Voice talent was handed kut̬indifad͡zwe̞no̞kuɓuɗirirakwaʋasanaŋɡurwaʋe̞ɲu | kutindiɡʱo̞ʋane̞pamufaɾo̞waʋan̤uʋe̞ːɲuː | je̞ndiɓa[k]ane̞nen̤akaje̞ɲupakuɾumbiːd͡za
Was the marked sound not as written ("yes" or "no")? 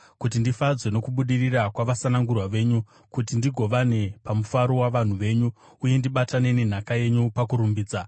yes